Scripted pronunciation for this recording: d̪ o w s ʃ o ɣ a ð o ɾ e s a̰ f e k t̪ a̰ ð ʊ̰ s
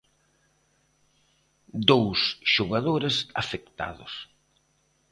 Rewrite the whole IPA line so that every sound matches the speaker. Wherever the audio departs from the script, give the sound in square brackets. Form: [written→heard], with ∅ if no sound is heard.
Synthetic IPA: d̪ o w s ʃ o ɣ a ð o ɾ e s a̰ f e k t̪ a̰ ð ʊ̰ s